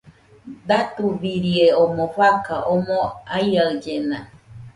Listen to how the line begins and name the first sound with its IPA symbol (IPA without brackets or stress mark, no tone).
d̪